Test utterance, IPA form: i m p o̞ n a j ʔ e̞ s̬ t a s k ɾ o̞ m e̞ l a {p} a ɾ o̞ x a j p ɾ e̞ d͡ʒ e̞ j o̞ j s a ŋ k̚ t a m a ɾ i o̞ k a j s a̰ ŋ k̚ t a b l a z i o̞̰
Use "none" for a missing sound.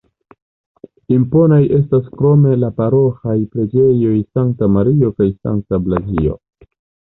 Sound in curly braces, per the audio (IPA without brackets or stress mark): p